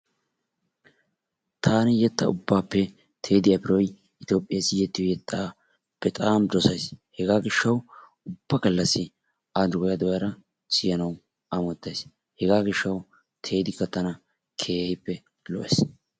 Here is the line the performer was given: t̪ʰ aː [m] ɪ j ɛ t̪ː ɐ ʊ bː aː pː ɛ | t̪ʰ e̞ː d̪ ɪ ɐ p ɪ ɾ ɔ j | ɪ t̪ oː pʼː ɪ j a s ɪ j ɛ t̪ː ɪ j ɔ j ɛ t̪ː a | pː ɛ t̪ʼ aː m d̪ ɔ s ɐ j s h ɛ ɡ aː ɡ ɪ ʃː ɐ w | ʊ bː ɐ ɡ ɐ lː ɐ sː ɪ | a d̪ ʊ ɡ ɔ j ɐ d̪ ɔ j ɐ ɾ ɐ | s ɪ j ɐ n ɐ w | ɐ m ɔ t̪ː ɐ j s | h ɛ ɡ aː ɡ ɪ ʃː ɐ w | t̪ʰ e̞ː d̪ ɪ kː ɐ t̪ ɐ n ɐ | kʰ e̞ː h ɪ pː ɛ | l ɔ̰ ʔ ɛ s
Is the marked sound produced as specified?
no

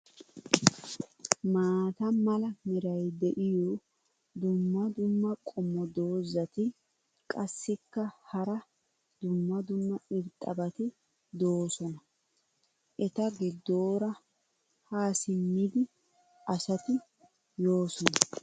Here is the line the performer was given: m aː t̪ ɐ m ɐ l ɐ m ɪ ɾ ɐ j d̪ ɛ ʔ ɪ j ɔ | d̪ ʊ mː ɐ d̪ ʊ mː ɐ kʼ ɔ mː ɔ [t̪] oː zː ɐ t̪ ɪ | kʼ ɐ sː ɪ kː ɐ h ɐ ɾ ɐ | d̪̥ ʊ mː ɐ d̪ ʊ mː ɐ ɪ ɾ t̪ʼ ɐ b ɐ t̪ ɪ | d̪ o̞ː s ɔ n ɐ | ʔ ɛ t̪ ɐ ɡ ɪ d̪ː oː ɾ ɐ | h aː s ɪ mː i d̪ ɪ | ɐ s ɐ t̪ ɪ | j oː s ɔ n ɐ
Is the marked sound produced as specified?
no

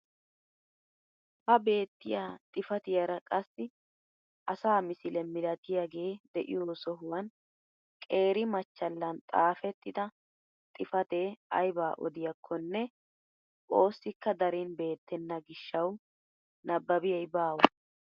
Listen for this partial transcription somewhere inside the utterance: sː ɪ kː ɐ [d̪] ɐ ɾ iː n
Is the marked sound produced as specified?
yes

